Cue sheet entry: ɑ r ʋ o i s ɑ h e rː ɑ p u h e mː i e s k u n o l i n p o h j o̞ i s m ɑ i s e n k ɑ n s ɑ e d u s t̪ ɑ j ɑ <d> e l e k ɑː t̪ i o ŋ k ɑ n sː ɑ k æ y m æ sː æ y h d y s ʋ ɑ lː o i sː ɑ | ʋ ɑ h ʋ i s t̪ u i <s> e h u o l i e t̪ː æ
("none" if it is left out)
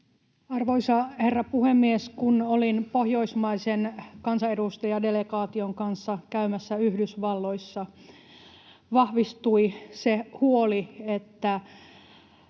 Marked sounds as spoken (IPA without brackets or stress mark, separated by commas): d, s